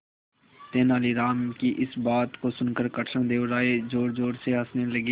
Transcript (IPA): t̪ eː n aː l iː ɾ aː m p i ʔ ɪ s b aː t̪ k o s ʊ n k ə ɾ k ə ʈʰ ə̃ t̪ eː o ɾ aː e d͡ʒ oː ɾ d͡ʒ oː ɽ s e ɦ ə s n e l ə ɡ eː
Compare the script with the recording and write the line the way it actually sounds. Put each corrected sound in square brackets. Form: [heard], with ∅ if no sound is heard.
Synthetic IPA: t̪ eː n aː l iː ɾ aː m [k] i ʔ ɪ s b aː t̪ k o s ʊ n k ə ɾ k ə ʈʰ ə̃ [d̪] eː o ɾ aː e d͡ʒ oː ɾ d͡ʒ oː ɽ s e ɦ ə s n e l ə ɡ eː